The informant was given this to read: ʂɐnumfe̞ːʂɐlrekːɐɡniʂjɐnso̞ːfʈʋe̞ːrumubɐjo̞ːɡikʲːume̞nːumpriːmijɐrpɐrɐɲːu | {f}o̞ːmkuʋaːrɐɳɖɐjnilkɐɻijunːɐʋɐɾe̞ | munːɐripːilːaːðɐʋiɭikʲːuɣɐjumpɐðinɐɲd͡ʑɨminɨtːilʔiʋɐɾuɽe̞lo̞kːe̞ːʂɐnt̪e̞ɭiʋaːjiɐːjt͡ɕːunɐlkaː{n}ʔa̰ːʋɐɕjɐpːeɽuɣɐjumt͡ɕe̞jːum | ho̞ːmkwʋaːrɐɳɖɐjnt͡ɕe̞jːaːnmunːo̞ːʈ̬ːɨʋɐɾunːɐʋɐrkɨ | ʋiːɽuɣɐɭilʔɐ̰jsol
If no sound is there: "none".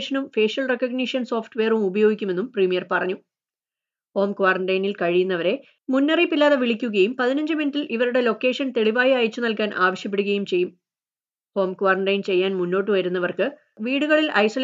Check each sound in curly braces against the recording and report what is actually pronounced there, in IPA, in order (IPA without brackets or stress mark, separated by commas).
h, n